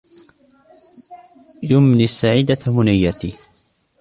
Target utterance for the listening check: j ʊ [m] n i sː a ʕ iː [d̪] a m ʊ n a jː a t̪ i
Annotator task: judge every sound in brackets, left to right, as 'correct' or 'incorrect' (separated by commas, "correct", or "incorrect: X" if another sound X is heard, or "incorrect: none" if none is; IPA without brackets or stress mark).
correct, correct